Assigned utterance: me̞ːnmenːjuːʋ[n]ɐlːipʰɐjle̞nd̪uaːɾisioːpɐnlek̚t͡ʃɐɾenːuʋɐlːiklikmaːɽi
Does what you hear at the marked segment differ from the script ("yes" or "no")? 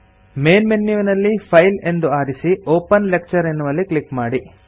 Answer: no